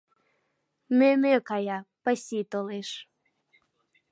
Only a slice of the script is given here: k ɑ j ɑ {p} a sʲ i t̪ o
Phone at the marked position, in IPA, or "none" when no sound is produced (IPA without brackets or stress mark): p